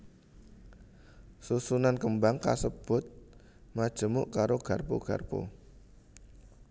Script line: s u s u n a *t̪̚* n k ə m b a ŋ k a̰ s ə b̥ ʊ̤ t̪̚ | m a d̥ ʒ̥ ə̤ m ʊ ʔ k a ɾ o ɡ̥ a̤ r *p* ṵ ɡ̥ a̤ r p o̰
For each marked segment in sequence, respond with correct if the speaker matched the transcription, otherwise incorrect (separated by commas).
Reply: incorrect, correct